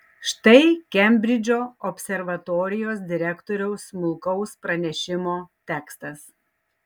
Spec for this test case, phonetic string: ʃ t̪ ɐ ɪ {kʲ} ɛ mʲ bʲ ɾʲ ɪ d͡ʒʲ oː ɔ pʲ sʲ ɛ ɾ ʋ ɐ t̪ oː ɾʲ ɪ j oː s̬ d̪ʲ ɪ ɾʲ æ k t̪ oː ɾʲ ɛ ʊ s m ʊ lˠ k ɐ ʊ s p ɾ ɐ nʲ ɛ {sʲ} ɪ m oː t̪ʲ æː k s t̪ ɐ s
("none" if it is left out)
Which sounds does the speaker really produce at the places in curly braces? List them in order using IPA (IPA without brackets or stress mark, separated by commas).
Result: kʲ, ʃʲ